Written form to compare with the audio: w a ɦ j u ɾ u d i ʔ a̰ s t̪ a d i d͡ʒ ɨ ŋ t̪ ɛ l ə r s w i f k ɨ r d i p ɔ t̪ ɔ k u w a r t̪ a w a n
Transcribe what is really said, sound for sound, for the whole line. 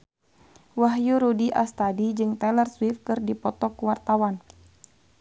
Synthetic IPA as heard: w a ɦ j u ɾ u d i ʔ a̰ s t̪ a d i d͡ʒ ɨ ŋ t̪ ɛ l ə r s w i f k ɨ r d i p ɔ t̪ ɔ k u w a r t̪ a w a n